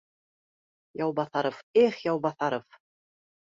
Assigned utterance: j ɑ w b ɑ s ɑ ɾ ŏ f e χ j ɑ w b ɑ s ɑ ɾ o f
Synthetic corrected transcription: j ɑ w b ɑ θ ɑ ɾ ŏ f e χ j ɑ w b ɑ θ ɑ ɾ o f